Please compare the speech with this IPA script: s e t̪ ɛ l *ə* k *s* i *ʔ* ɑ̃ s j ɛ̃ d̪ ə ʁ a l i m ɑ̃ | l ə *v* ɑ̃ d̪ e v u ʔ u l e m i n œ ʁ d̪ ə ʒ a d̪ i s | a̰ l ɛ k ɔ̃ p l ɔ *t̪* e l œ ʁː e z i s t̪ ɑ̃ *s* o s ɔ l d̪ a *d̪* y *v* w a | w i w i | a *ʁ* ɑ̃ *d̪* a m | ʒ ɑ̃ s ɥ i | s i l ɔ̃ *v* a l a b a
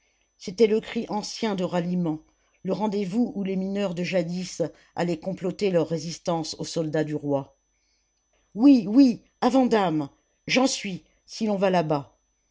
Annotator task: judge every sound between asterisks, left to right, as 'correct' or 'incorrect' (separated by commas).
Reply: correct, incorrect, correct, incorrect, correct, correct, correct, incorrect, incorrect, correct, correct